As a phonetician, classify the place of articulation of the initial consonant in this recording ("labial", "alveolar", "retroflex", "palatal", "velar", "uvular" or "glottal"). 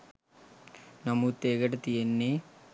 alveolar